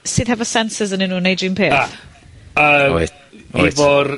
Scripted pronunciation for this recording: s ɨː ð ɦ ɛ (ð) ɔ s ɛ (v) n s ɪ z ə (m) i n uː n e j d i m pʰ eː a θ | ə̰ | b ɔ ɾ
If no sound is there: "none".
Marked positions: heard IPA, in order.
v, none, n

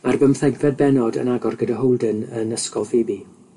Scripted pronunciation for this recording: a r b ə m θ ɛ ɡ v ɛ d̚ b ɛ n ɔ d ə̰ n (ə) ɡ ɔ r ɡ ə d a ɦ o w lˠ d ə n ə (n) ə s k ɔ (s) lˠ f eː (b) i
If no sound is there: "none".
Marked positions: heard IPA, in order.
a, n, none, b

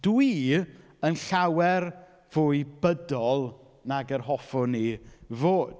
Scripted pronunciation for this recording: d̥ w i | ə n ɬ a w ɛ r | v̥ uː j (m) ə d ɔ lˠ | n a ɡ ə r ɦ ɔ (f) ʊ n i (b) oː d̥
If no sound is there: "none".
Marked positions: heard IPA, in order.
b, f, v

